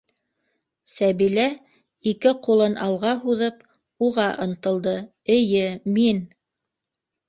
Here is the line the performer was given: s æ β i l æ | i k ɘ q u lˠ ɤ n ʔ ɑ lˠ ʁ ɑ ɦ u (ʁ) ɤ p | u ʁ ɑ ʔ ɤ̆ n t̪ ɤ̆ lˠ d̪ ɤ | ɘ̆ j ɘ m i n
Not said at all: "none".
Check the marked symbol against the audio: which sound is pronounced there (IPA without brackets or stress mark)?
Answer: ð